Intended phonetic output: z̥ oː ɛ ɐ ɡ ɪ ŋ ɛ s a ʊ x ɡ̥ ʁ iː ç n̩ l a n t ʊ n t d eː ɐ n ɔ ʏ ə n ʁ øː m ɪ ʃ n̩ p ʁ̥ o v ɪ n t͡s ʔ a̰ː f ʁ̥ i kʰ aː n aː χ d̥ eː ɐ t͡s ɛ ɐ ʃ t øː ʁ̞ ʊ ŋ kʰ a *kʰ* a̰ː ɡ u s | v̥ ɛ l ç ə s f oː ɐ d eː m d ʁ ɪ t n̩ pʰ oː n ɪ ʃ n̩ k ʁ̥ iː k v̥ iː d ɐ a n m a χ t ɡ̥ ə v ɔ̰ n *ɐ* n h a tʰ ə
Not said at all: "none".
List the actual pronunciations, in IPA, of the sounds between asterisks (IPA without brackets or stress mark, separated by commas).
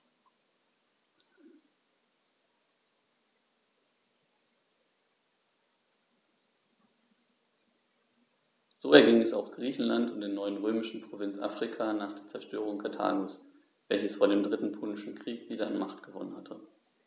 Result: tʰ, ə